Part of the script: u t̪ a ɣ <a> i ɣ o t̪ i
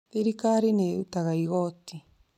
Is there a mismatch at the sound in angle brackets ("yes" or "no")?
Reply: no